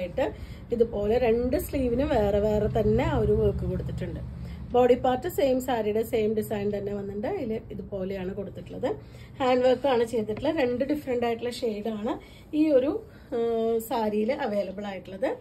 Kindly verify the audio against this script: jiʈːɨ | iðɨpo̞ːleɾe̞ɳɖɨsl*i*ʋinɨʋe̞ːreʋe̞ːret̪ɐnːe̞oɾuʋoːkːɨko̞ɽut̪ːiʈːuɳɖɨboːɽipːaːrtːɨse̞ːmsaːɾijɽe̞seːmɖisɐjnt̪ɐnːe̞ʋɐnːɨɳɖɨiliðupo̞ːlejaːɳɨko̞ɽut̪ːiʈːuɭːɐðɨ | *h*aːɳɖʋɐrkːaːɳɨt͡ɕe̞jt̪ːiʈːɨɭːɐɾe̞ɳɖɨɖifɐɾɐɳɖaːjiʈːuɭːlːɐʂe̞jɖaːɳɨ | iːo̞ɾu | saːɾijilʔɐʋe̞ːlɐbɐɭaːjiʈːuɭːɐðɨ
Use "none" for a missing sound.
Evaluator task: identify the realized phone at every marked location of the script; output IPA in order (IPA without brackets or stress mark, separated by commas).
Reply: iː, h